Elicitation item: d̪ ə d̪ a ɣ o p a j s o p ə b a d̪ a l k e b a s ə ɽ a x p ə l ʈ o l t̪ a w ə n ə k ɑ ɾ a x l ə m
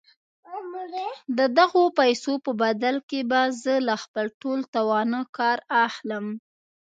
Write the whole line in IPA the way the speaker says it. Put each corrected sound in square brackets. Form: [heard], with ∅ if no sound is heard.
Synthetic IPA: d̪ ə d̪ a ɣ o p a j s o p ə b a d̪ a l k e b a [z] ə [l] a x p ə l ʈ o l t̪ a w [ɑ] n ə k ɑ ɾ a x l ə m

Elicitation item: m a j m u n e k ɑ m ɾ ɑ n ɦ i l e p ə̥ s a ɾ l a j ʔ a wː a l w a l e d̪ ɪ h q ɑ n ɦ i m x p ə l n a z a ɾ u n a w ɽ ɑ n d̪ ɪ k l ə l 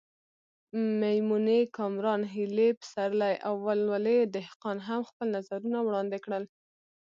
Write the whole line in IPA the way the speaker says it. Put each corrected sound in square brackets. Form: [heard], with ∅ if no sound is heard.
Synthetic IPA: m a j m u n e k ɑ m ɾ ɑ n ɦ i l e p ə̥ s a ɾ l a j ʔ a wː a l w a l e d̪ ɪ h q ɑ n ɦ [a] m x p ə l n a z a ɾ u n a w ɽ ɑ n d̪ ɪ k [ɽ] ə l

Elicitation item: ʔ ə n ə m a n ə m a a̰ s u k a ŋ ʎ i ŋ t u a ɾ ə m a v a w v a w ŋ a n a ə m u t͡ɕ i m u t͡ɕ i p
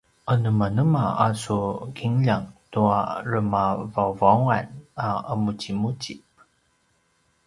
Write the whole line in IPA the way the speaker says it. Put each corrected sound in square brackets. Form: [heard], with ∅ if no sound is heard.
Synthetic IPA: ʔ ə n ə m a n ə m a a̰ s u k [i] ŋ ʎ [a] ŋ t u a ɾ ə m a v a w v a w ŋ a n a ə m u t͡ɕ i m u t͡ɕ i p

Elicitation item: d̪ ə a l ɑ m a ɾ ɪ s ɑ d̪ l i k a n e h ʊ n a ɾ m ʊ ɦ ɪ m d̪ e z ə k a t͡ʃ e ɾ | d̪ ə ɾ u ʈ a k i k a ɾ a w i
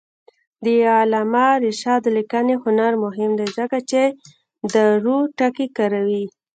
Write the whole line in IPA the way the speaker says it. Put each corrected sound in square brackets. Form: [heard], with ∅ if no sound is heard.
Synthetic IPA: d̪ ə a l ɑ m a ɾ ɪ [ʃ] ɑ d̪ l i k a n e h ʊ n a ɾ m ʊ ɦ ɪ m d̪ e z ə k a t͡ʃ e [∅] | d̪ ə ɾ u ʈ a k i k a ɾ a w i

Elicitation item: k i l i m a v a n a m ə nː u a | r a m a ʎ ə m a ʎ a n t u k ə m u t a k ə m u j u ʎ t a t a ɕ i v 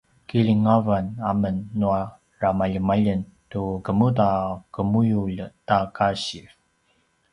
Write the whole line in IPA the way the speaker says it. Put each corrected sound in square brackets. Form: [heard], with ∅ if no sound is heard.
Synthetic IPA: k i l i [ŋ] a v a n a m ə nː u a | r a m a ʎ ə m a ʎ [ə] n t u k ə m u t a k ə m u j u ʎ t a [k] a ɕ i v

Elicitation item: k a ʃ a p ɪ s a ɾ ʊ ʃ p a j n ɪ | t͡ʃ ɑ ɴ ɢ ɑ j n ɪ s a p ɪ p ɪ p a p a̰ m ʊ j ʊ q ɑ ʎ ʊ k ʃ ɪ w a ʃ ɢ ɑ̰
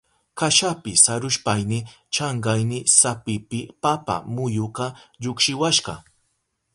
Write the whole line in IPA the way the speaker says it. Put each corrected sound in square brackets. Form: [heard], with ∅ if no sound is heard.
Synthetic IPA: k a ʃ a p ɪ s a ɾ ʊ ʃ p a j n ɪ | t͡ʃ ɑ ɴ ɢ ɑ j n ɪ s a p ɪ p ɪ p a p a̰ m ʊ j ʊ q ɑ ʎ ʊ k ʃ ɪ w a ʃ ɢ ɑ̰

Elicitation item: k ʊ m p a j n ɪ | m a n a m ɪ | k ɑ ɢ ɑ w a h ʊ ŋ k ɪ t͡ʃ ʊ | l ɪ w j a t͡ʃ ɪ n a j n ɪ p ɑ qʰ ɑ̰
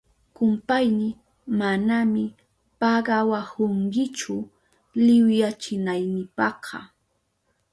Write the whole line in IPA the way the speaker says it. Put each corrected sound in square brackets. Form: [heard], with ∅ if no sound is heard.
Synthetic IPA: k ʊ m p a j n ɪ | m a n a m ɪ | [p] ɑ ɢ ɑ w a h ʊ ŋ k ɪ t͡ʃ ʊ | l ɪ w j a t͡ʃ ɪ n a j n ɪ p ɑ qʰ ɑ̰

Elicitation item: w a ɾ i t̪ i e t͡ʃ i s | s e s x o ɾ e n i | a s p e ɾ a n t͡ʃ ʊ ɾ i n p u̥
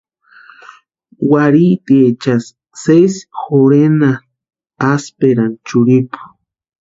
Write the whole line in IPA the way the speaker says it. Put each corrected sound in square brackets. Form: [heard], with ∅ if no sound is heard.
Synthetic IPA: w a ɾ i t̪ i e t͡ʃ [a] s | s e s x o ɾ e n [a] | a s p e ɾ a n t͡ʃ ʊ ɾ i [∅] p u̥

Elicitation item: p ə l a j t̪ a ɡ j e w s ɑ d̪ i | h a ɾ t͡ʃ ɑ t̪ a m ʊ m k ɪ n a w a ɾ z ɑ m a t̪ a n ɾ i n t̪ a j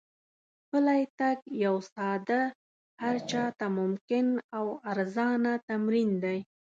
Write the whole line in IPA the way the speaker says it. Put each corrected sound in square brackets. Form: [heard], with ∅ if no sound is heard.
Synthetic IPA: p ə l a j t̪ a ɡ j [a] w s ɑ d̪ [a] | h a ɾ t͡ʃ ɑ t̪ a m ʊ m k ɪ n a w a ɾ z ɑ [n] a t̪ a [m] ɾ i n [d̪] a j

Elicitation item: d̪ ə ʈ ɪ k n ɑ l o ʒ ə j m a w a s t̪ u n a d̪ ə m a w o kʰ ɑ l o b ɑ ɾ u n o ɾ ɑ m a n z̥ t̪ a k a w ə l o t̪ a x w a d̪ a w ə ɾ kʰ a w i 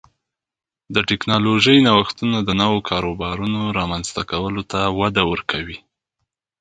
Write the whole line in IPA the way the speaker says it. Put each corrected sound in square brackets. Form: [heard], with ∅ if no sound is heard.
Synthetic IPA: d̪ ə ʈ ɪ k n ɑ l o ʒ ə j [n] a w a [x] t̪ u n a d̪ ə [n] a w o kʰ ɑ [ɾ] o b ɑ ɾ u n o ɾ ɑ m a n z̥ t̪ a k a w ə l o t̪ a [∅] w a d̪ a w ə ɾ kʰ a w i

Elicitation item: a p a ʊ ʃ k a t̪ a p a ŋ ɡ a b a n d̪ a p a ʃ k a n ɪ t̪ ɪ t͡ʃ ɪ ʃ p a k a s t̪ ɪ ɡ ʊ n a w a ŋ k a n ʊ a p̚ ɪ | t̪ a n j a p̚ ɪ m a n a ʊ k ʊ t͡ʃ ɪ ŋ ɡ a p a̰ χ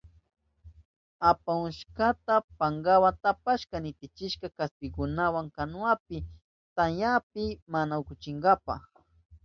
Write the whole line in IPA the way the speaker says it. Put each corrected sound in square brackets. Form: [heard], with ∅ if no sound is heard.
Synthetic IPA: a p a ʊ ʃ k a t̪ a p a ŋ ɡ a [w] a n [t̪] a p a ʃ k a n ɪ t̪ ɪ t͡ʃ ɪ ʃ [k] a k a s t̪ ɪ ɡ ʊ n a w a ŋ k a n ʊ a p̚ ɪ | t̪ a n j a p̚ ɪ m a n a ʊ k ʊ t͡ʃ ɪ ŋ ɡ a p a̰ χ

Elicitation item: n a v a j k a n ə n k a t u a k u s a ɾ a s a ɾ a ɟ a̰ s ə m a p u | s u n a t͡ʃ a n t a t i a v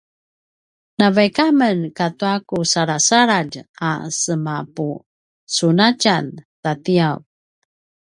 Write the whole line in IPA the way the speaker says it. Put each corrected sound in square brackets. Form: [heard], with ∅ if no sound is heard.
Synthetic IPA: n a v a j k a [m] ə n k a t u a k u s a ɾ a s a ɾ a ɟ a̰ s ə m a p u | s u n a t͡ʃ a n t a t i a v

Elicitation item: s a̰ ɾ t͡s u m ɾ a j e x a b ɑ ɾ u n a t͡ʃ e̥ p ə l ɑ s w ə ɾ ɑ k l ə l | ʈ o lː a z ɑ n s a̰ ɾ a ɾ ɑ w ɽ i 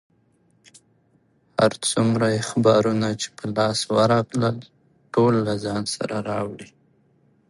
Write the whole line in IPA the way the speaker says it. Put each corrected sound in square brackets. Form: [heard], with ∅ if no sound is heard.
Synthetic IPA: [h] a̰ ɾ t͡s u m ɾ a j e x a b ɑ ɾ u n a t͡ʃ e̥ p ə l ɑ s w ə ɾ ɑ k l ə l | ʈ o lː a z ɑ n s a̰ ɾ a ɾ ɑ w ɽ i

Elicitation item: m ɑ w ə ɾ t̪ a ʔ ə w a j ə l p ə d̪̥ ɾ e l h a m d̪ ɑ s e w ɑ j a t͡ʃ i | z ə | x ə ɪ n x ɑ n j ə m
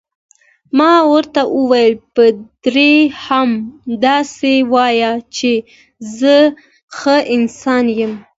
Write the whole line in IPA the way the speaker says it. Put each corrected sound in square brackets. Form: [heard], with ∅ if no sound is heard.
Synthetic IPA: m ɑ w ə ɾ t̪ a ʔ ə w a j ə l p ə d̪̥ ɾ e [∅] h a m d̪ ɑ s e w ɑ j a t͡ʃ [e] | z ə | x ə ɪ n [s] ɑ n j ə m

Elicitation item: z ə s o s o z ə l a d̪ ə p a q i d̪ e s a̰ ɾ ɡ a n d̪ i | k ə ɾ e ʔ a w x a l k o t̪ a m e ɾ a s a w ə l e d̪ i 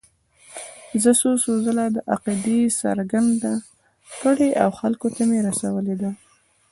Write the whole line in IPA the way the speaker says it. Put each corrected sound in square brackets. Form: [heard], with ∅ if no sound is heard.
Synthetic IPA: z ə s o s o z ə l a d̪ ə [ʔ] a q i d̪ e s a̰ ɾ ɡ a n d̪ [a] | k ə [ɽ] e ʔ a w x a l k o t̪ a m e ɾ a s a w ə l e d̪ [a]

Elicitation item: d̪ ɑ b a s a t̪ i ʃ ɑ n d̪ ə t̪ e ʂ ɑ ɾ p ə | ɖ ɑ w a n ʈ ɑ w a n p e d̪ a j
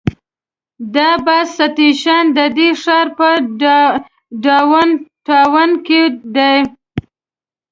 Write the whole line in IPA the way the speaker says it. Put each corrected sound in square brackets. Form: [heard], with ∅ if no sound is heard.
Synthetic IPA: d̪ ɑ b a s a t̪ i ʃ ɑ n d̪ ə [d̪] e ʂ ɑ ɾ p ə | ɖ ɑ w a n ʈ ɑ w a n [k] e d̪ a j

